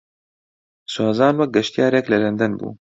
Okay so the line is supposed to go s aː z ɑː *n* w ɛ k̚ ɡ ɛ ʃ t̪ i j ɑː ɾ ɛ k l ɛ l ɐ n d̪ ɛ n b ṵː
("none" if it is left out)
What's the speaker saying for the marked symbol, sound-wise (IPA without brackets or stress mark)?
n